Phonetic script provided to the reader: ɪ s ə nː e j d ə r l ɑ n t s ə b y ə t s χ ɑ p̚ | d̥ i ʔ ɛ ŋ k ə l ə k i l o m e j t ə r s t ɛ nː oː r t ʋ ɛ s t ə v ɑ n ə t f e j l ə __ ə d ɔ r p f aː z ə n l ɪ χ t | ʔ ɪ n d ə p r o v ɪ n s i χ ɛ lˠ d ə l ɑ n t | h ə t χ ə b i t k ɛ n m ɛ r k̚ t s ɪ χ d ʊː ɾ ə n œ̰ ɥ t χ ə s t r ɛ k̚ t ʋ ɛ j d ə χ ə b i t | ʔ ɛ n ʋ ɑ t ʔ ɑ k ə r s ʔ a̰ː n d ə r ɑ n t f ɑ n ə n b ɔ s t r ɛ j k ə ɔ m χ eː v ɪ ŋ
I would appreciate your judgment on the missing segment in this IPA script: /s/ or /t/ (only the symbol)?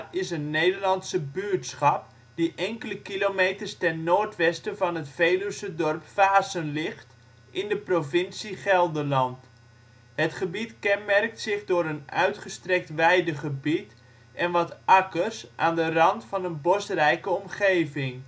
s